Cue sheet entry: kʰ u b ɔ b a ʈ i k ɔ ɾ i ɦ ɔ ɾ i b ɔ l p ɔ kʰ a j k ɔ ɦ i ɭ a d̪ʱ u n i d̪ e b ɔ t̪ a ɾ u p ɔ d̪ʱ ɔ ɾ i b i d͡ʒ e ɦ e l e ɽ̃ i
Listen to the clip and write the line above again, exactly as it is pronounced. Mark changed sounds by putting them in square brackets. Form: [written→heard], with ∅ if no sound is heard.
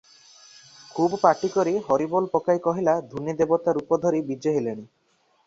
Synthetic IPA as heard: kʰ u b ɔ [b→p] a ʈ i k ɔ ɾ i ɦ ɔ ɾ i b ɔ l p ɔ [kʰ→k] a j k ɔ ɦ i [ɭ→l] a d̪ʱ u n i d̪ e b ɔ t̪ a ɾ u p ɔ d̪ʱ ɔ ɾ i b i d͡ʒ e ɦ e l e ɽ̃ i